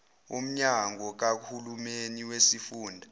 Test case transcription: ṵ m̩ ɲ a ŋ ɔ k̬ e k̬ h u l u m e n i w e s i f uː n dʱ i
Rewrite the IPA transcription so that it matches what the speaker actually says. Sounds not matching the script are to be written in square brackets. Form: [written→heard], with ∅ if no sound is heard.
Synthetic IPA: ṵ m̩ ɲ a ŋ ɔ k̬ [e→a] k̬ h u l u m e n i w e s i f uː n dʱ [i→a]